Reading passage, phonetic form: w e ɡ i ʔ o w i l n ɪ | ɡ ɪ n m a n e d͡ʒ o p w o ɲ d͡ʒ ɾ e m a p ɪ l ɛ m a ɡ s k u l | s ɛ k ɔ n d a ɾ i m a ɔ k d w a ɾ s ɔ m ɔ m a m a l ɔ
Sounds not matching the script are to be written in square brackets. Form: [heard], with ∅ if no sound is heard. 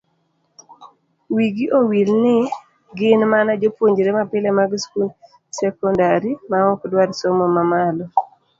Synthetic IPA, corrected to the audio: w [i] ɡ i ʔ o w i l n ɪ | ɡ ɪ n m a n [a] d͡ʒ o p w o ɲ d͡ʒ ɾ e m a p ɪ l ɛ m a ɡ s k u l | s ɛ k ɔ n d a ɾ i m a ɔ k d w a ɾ s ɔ m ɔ m a m a l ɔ